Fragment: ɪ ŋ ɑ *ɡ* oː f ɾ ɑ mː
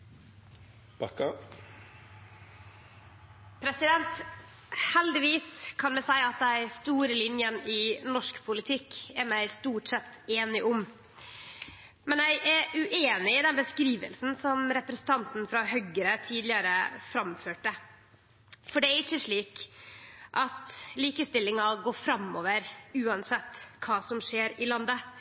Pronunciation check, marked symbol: correct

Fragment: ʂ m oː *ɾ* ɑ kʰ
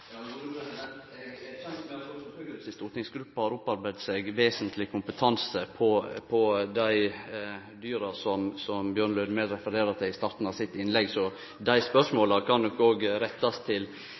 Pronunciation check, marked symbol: incorrect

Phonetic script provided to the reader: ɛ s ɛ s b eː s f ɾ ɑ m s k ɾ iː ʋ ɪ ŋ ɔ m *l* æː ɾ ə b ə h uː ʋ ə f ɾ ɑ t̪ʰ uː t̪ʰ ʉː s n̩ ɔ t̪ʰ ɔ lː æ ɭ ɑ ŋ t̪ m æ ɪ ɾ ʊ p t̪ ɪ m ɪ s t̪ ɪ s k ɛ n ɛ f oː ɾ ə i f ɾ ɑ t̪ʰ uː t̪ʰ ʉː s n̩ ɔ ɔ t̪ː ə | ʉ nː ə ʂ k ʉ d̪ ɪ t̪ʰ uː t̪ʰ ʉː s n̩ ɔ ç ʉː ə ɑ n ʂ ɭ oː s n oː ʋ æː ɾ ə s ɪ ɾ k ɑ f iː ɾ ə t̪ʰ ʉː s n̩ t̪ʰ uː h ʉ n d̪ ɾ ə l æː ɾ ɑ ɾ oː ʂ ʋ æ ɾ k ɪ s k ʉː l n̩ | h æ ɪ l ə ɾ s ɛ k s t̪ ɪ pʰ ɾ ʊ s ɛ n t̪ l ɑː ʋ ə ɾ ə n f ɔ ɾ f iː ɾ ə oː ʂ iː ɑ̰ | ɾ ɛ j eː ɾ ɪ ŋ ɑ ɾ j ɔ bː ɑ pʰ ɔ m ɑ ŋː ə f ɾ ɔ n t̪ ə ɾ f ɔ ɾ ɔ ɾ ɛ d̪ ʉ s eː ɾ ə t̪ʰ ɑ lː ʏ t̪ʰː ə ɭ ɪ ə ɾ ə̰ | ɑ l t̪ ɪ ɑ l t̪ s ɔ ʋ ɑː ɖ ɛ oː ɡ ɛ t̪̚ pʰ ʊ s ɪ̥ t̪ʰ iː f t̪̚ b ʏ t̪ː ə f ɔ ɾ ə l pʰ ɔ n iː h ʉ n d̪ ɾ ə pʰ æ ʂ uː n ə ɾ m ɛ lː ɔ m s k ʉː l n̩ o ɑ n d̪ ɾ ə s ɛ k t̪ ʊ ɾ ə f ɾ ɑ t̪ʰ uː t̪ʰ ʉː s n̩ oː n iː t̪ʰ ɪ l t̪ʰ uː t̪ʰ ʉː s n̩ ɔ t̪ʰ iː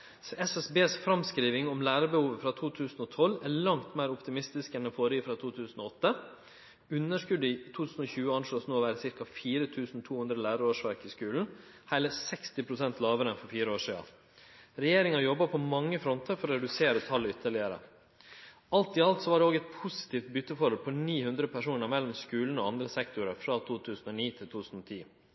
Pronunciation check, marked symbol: correct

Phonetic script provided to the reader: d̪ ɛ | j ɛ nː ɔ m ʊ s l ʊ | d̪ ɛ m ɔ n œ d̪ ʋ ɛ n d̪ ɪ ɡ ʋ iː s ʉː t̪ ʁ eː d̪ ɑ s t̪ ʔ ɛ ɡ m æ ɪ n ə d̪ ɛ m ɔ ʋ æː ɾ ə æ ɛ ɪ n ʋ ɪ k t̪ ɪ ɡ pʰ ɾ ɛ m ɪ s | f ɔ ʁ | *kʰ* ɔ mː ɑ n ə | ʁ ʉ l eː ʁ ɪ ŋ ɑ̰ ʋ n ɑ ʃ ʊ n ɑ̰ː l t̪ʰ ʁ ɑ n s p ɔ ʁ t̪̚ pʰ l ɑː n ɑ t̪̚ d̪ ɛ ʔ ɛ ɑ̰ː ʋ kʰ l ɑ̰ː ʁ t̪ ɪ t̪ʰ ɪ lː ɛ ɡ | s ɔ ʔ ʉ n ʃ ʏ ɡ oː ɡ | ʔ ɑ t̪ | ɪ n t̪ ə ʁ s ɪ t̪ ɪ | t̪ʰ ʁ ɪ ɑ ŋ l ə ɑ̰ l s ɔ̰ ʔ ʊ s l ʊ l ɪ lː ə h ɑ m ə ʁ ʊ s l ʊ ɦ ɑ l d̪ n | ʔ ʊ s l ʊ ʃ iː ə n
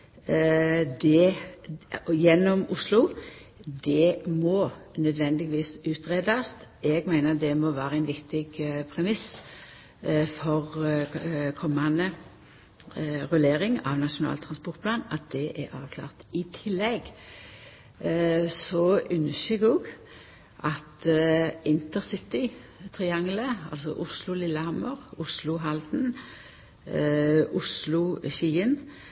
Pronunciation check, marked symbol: correct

